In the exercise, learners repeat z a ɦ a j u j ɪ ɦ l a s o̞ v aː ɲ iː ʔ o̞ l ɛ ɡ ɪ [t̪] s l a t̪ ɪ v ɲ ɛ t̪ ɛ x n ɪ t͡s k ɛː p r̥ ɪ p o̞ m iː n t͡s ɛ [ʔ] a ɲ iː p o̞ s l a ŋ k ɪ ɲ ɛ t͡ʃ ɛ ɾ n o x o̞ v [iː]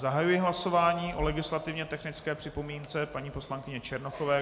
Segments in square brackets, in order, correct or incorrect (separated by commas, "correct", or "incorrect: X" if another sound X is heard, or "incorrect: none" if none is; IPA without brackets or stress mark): incorrect: none, incorrect: p, incorrect: ɛː